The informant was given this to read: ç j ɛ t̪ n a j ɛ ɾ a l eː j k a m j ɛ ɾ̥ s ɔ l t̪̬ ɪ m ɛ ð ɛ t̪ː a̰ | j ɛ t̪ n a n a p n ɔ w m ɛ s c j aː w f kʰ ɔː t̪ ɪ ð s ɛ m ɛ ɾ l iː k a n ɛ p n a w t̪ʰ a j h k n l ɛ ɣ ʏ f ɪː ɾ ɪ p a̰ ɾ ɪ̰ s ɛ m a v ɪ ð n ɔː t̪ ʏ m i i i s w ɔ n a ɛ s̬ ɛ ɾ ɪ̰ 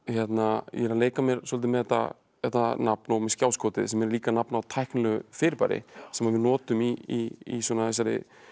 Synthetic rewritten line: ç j ɛ t̪ n a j ɛ ɾ a l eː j k a m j ɛ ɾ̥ s ɔ l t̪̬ ɪ m ɛ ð ɛ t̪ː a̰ | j ɛ t̪ n a n a p n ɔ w m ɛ s c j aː w s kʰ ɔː t̪ ɪ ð s ɛ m ɛ ɾ l iː k a n a p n a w t̪ʰ a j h k n l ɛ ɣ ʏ f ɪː ɾ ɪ p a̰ ɾ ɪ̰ s ɛ m a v ɪ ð n ɔː t̪ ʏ m i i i s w ɔ n a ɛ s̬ a ɾ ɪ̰